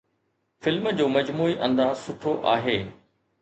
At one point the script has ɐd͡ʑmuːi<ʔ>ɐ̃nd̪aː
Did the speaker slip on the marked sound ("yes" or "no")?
no